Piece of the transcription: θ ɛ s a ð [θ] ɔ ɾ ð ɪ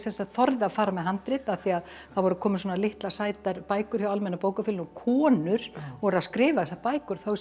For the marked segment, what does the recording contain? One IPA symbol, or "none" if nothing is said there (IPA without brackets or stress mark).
θ